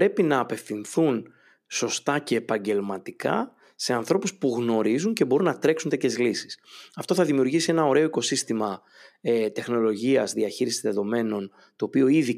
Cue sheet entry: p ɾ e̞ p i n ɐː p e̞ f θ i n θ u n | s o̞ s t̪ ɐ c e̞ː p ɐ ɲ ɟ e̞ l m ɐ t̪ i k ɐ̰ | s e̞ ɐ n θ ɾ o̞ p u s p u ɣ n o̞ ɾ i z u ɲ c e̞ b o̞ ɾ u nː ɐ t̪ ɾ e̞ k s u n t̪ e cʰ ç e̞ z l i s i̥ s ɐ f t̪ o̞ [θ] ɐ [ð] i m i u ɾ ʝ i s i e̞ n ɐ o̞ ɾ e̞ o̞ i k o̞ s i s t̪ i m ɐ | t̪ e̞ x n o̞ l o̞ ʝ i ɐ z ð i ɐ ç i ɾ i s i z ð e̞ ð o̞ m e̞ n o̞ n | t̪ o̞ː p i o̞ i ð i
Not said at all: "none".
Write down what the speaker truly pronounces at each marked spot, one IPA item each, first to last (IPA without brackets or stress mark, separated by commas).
θ, ð